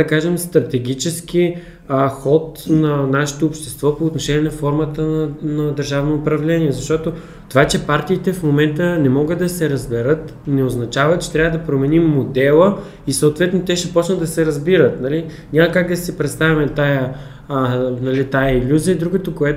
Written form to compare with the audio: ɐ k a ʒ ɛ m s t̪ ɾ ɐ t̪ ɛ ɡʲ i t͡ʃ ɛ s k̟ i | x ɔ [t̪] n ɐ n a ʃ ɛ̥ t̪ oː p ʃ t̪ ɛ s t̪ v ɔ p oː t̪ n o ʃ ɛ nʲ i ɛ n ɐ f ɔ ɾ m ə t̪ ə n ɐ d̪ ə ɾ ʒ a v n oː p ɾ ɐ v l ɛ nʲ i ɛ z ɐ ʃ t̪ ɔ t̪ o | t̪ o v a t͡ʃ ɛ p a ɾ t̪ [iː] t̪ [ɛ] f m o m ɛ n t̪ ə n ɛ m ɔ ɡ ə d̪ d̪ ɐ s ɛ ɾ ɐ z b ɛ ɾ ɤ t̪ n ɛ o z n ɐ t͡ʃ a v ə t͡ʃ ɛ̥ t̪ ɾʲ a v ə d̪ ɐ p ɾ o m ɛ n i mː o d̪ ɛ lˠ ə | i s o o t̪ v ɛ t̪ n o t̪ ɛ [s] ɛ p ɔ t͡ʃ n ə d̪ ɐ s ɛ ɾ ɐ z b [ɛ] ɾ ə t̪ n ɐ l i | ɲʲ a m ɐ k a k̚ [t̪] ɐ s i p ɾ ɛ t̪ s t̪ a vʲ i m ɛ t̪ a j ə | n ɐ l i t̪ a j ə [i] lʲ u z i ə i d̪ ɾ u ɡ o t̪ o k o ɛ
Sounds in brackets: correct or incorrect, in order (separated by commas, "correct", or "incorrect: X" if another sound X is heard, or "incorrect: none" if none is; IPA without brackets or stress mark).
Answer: correct, correct, correct, incorrect: ʃ, incorrect: i, incorrect: d̪, correct